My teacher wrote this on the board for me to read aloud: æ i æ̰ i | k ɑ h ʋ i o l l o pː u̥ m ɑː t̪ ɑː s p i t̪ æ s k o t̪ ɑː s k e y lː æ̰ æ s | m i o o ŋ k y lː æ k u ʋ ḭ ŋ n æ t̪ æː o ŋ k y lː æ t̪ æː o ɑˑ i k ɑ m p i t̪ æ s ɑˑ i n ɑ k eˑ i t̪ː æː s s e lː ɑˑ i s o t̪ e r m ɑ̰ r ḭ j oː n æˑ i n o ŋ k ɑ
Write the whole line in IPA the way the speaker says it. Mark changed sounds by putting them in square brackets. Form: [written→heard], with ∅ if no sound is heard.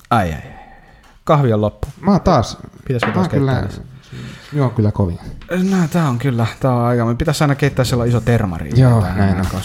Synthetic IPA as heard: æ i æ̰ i | k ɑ h ʋ i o l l o pː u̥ m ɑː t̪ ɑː s p i t̪ æ s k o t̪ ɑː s k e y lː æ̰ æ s | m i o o ŋ k y lː æ k [u→o] ʋ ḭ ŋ n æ t̪ æː o ŋ k y lː æ t̪ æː o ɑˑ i k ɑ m p i t̪ æ s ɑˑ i n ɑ k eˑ i t̪ː æː s s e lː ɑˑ i s o t̪ e r m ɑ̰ r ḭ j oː n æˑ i n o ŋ k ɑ